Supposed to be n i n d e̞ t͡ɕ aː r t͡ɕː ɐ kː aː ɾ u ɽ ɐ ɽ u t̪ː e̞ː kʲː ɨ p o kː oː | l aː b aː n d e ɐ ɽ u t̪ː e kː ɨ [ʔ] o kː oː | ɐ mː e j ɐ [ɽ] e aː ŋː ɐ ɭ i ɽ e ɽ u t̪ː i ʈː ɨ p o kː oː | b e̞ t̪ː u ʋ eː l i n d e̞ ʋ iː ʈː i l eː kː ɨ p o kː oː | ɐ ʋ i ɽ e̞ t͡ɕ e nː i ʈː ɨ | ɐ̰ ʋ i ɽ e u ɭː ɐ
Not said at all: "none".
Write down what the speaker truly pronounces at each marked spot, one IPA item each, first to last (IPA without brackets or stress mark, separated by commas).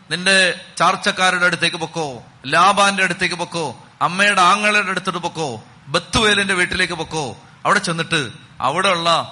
p, ɽ